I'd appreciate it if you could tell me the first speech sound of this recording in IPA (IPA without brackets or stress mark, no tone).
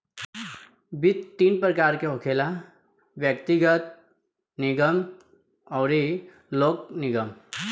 b